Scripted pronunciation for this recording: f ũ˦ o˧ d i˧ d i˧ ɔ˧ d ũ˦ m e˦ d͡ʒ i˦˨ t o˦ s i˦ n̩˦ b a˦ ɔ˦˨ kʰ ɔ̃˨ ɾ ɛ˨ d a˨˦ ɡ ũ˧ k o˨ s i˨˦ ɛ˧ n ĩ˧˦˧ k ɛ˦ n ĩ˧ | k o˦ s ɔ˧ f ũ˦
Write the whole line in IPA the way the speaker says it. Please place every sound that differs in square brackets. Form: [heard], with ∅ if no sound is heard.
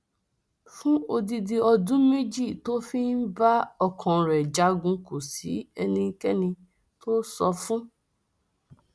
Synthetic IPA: f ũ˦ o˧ d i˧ d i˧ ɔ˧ d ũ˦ m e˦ d͡ʒ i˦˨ t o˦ [f] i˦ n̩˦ b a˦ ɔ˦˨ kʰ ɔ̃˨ ɾ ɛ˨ [d͡ʒ] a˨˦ ɡ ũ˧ k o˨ s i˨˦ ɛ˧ n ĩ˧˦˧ k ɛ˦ n ĩ˧ | [t] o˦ s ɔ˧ f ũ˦